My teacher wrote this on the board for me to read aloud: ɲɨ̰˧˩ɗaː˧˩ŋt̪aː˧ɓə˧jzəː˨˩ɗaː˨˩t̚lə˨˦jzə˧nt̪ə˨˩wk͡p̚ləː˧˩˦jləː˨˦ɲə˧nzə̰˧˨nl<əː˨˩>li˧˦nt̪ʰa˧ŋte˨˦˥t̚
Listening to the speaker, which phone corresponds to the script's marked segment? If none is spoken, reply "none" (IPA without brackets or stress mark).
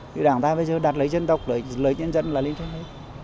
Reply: aː˨˩